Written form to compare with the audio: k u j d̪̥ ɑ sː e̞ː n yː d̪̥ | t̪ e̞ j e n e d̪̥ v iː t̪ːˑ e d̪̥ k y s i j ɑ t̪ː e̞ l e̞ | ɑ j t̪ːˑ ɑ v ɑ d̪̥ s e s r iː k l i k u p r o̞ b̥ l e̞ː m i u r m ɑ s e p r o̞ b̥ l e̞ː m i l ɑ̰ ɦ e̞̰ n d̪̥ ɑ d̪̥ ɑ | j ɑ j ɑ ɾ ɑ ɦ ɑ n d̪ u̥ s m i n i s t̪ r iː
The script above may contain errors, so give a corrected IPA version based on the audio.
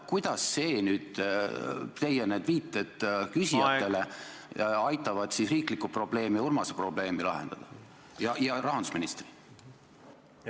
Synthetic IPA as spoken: k u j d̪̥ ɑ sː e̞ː n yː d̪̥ | t̪ e̞ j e n e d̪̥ v iː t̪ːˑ e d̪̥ k y s i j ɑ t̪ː e̞ l e̞ | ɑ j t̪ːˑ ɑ v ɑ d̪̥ s i s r iː k l i k u p r o̞ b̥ l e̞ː m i u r m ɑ s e p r o̞ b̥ l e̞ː m i l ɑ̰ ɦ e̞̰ n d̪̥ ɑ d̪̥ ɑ | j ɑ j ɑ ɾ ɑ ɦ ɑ n d̪ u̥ s m i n i s t̪ r i